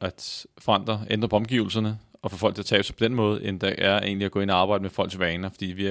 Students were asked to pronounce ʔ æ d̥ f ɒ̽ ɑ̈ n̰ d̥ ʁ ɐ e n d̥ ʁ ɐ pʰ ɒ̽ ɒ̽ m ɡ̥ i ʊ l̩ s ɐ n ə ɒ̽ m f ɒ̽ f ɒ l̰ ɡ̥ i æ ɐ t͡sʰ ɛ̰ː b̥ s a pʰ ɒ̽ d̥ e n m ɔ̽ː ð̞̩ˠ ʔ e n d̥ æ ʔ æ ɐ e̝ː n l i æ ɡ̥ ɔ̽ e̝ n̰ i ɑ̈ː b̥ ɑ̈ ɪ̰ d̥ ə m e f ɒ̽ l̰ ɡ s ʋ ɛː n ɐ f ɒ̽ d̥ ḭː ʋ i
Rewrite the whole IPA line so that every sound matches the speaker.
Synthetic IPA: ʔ æ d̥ f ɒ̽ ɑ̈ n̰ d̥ ʁ ɐ e n d̥ ʁ ɐ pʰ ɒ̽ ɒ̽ m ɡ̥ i ʊ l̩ s ɐ n ə ɒ̽ f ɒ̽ f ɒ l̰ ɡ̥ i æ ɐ t͡sʰ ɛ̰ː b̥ s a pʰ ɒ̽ d̥ e n m ɔ̽ː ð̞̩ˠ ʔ e n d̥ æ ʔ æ ɐ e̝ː n l i æ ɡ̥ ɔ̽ e̝ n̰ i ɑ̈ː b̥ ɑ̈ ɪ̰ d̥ ə m e f ɒ̽ l̰ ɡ s ʋ ɛː n ɐ f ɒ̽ d̥ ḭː ʋ i